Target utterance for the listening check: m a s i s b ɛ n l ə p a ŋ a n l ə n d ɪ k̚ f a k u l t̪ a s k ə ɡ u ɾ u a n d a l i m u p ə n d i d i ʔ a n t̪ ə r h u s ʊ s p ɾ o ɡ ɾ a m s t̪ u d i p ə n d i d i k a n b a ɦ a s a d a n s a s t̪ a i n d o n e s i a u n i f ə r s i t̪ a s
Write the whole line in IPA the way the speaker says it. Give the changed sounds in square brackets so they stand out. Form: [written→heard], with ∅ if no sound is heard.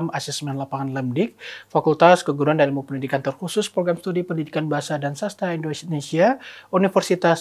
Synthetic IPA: m a s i s [b→m] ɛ n l [ə→a] p a ŋ a n l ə [n→m] d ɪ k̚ f a k u l t̪ a s k ə ɡ u ɾ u a n d a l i m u p ə n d i d i [ʔ→k] a n t̪ ə r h u s ʊ s p ɾ o ɡ ɾ a m s t̪ u d i p ə n d i d i k a n b a ɦ a s a d a n s a s t̪ a i n d o n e s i a u n i f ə r s i t̪ a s